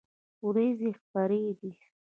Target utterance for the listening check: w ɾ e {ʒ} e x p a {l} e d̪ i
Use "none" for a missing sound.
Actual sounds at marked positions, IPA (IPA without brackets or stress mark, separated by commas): z, ɾ